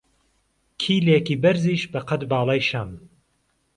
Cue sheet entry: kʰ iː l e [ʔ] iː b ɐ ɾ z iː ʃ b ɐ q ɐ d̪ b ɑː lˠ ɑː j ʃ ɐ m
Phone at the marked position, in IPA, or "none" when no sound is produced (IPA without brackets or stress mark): k